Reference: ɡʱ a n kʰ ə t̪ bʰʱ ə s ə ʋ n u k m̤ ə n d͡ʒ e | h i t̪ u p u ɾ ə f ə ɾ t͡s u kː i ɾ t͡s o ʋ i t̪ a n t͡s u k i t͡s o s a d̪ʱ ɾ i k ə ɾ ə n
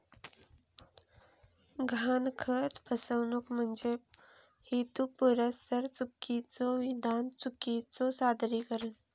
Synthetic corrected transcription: ɡʱ a n kʰ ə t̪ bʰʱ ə s ə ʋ n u k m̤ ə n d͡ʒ e | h i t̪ u p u ɾ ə s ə ɾ t͡s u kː i t͡s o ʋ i d̪ a n t͡s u k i t͡s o s a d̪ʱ ɾ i k ə ɾ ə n